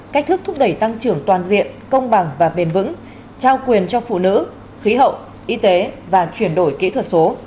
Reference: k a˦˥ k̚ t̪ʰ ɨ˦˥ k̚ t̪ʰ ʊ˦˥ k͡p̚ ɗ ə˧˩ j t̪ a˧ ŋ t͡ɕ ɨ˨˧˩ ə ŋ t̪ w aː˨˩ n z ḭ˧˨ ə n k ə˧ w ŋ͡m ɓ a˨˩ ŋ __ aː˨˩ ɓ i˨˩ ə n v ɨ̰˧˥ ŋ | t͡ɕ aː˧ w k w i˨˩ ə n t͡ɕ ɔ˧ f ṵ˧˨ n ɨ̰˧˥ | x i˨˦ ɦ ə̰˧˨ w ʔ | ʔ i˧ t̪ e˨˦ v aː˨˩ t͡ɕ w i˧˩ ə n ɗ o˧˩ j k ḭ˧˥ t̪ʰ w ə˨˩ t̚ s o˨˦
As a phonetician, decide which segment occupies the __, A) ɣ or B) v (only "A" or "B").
B